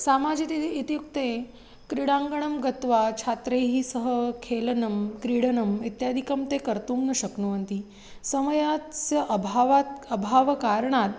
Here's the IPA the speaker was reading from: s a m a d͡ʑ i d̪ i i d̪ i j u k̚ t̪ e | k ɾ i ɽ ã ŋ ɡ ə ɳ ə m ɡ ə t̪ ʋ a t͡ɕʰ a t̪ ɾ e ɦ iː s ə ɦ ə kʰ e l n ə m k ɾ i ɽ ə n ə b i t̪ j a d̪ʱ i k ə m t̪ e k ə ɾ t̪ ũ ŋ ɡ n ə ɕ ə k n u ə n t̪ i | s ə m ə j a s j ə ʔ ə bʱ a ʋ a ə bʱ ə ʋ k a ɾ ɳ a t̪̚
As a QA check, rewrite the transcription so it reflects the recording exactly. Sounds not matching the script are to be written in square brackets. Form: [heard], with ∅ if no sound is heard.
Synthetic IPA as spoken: s a m a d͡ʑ i [t̪] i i [t̪] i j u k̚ t̪ e | k ɾ i ɽ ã ŋ ɡ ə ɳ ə m ɡ ə t̪ ʋ a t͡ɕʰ a t̪ ɾ e ɦ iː s ə ɦ ə kʰ e l n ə m k ɾ i ɽ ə n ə [m] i t̪ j a d̪ʱ i k ə m t̪ e k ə ɾ t̪ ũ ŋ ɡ n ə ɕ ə k n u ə n t̪ i | s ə m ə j a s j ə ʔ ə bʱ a ʋ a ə bʱ [a] ʋ k a ɾ ɳ a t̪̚